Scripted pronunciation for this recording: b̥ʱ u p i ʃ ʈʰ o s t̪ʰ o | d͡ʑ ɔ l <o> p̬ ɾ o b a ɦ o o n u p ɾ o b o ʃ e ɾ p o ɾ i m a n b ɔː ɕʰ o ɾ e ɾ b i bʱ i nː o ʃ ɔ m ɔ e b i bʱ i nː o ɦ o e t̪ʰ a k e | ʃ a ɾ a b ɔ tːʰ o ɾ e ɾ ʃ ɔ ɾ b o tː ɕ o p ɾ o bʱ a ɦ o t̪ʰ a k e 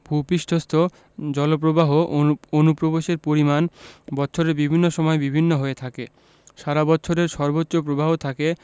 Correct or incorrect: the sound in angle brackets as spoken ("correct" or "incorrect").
correct